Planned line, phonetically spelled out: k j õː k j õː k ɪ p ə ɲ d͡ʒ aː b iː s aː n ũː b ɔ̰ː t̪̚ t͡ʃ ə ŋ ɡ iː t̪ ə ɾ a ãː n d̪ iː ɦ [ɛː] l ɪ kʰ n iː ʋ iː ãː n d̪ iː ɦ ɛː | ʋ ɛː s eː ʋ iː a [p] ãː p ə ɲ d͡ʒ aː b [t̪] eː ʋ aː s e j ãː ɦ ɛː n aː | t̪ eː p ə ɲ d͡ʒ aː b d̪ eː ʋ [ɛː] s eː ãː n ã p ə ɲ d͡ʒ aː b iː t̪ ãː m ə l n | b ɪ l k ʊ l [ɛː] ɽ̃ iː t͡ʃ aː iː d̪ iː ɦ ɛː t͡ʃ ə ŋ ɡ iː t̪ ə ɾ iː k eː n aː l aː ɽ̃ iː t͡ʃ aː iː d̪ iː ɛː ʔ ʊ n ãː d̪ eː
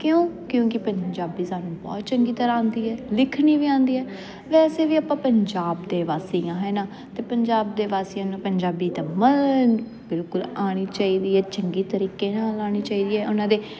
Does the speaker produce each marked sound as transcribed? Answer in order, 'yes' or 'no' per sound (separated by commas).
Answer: yes, yes, no, no, no